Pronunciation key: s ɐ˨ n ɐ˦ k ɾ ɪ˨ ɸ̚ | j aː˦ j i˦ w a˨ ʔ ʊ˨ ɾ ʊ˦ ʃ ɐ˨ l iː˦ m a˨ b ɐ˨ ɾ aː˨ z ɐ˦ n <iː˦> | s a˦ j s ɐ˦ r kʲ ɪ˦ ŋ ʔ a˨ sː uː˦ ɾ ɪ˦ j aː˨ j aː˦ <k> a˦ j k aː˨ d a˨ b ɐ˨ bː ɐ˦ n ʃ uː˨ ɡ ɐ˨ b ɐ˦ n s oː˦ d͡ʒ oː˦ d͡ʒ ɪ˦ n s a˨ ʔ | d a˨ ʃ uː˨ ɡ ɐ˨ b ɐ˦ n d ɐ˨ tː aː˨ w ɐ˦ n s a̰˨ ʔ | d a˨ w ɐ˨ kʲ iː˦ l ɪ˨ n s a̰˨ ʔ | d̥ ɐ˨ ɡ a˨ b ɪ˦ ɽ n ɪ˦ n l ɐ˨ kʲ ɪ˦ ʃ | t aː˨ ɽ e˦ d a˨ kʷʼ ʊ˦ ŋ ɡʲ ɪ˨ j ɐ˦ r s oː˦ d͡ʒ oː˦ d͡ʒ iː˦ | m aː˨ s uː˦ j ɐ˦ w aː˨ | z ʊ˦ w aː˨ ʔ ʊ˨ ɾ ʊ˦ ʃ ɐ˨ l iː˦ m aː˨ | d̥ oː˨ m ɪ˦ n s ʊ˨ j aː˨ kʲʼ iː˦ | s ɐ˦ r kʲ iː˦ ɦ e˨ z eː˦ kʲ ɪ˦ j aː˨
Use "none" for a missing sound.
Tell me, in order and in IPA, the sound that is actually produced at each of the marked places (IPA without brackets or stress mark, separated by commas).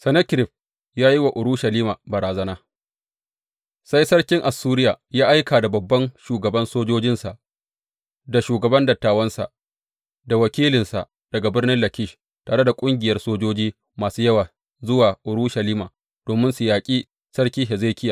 aː˦, ʔ